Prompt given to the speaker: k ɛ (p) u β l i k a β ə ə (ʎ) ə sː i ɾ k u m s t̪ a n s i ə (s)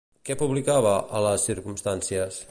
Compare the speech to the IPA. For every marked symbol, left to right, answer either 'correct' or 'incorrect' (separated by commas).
correct, incorrect, correct